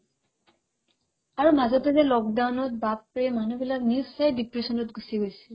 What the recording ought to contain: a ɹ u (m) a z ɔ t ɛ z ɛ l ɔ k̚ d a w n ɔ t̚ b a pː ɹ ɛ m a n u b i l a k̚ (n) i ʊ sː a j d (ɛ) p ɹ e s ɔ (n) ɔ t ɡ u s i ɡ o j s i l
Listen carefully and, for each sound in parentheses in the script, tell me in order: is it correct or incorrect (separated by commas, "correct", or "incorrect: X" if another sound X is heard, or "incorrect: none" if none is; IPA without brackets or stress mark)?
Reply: correct, correct, incorrect: i, correct